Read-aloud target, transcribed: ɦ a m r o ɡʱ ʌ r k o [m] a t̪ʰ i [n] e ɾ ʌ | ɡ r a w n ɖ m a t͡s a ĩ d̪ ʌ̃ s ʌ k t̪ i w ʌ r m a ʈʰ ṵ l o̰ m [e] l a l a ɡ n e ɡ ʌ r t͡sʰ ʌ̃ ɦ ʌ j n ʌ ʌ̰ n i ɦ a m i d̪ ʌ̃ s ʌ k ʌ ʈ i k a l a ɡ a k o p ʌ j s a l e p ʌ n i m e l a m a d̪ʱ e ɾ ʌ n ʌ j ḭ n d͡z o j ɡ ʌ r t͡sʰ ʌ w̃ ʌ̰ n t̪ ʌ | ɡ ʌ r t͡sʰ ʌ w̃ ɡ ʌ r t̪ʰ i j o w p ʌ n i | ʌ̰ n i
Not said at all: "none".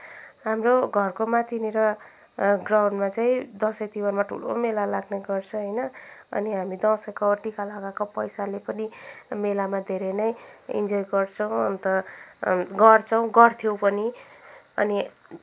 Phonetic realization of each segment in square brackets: m, n, e

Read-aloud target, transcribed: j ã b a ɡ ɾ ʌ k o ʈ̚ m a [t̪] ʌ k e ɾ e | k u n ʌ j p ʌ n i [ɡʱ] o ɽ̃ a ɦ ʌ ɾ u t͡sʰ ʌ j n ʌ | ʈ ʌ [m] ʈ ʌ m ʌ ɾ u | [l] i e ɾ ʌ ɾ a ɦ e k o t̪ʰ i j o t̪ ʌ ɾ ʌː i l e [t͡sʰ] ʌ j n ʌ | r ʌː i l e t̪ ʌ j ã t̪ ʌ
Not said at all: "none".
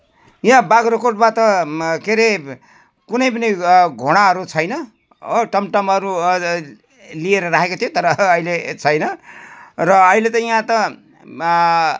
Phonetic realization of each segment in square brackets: t̪, ɡʱ, m, l, t͡sʰ

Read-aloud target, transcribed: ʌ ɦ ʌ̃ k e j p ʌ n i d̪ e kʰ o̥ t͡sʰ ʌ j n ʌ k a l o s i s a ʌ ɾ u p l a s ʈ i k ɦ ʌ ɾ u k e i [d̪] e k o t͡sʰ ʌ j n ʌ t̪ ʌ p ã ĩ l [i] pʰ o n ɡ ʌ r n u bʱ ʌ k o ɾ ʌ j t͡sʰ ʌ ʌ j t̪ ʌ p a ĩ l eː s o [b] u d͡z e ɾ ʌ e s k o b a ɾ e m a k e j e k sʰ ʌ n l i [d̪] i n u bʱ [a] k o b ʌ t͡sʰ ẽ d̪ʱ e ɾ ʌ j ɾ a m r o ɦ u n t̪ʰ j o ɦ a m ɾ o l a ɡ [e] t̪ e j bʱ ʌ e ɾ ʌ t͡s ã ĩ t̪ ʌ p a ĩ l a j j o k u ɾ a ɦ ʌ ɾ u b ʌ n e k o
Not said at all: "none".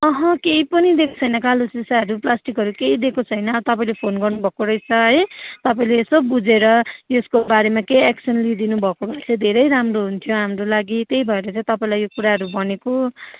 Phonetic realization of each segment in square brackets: d̪, e, b, d̪, ʌ, i

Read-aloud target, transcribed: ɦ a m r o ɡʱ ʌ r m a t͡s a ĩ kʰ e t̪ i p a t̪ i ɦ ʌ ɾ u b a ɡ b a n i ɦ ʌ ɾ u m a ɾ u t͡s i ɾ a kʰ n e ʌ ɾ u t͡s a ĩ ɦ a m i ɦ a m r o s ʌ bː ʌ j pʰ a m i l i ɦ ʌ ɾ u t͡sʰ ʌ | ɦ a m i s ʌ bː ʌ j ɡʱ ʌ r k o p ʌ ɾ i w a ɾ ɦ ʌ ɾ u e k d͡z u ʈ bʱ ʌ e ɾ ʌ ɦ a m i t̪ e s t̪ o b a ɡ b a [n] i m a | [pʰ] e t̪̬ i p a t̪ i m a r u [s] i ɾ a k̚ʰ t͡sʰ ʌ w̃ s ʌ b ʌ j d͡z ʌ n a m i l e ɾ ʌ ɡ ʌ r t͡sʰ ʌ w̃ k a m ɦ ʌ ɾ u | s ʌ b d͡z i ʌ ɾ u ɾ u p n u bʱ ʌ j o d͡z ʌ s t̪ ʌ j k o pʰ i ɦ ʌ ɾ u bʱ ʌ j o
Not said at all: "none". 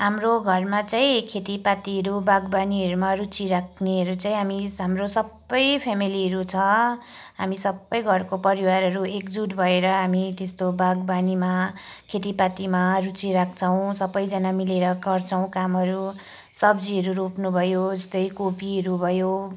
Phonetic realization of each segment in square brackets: n, kʰ, t͡s

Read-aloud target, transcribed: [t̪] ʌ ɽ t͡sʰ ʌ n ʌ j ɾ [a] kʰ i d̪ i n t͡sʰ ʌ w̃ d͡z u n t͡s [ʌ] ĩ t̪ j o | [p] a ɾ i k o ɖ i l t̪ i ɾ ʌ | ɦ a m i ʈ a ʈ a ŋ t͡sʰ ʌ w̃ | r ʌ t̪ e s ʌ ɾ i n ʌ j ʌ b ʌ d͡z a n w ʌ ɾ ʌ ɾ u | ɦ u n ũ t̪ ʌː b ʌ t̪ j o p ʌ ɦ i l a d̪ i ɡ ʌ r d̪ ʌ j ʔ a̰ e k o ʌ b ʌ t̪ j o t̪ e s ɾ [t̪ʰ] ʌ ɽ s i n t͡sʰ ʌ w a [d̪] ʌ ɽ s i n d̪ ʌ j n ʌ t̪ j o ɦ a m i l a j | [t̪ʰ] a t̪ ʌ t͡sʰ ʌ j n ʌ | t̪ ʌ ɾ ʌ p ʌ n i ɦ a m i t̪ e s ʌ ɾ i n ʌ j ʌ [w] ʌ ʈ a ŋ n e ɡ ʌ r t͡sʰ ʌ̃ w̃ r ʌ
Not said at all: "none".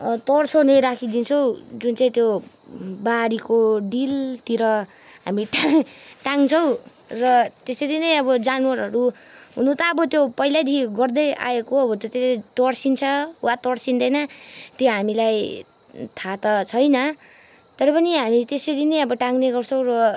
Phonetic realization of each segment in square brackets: t̪, a, a, b, t̪, t̪, t̪ʰ, b

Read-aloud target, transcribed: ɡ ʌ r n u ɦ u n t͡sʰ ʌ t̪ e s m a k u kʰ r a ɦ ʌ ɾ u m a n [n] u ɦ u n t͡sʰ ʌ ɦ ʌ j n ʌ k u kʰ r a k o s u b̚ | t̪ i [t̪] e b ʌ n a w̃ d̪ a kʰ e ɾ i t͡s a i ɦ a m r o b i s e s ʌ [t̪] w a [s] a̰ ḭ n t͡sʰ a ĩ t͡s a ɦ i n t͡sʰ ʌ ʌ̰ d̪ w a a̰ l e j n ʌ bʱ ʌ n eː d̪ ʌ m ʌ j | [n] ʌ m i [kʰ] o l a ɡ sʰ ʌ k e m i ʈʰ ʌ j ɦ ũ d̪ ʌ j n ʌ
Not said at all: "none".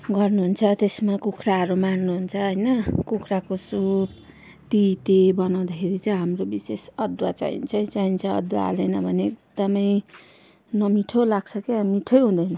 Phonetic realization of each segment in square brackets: n, t̪, d̪, t͡s, n, ʈʰ

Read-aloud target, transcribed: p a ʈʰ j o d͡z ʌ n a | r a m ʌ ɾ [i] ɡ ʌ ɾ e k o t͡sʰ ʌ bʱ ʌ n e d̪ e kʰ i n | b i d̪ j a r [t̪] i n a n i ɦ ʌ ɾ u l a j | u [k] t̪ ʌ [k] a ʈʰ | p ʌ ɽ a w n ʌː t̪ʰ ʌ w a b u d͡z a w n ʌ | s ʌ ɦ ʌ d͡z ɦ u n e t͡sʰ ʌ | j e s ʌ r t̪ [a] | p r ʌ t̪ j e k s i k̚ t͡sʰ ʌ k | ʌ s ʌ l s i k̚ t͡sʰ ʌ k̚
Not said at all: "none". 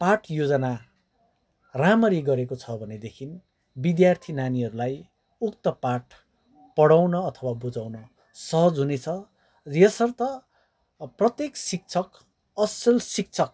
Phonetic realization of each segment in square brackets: i, t̪ʰ, k, p, ʌ

